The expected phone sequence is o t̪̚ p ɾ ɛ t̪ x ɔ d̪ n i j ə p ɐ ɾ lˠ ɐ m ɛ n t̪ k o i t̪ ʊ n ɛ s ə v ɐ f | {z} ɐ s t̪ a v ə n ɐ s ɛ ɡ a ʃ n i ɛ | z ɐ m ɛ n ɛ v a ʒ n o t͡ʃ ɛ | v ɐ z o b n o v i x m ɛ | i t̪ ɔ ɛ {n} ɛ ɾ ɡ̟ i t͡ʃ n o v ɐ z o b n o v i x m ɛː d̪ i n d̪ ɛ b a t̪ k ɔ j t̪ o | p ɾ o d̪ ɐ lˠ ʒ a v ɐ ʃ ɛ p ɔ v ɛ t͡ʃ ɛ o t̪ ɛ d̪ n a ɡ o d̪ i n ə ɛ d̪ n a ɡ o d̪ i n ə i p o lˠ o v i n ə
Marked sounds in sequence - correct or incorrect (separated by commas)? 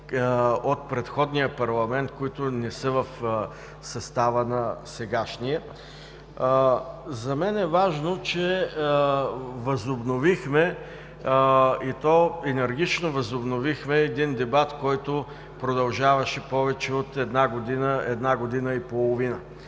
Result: incorrect, correct